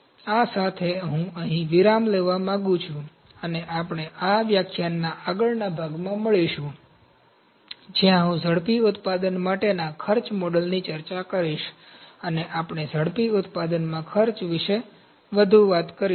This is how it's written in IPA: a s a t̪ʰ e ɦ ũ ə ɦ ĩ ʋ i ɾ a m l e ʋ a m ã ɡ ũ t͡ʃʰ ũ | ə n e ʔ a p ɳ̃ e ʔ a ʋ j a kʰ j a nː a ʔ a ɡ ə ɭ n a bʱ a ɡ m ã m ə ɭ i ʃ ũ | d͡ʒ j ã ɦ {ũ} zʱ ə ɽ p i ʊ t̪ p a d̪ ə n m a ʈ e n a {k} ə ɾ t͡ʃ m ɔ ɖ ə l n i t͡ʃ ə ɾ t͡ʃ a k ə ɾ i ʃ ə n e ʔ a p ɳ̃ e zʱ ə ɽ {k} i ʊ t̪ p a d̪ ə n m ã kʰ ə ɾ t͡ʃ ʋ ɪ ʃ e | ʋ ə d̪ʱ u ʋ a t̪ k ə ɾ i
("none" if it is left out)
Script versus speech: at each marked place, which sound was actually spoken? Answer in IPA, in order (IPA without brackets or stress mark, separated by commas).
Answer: ũ, kʰ, p